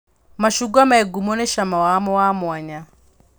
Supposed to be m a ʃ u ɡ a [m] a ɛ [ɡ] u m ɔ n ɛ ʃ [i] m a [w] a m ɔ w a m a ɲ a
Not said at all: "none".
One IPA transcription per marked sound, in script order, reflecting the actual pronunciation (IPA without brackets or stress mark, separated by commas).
m, ɡ, a, w